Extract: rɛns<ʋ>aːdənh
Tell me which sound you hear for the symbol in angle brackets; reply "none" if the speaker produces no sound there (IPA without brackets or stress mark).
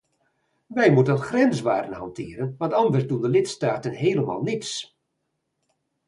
ʋ